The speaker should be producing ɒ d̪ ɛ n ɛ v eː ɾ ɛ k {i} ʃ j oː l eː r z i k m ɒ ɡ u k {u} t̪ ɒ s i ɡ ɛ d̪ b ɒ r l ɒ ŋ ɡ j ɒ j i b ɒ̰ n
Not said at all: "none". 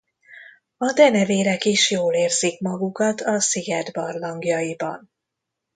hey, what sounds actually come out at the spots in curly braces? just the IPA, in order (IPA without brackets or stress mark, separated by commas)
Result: i, ɒ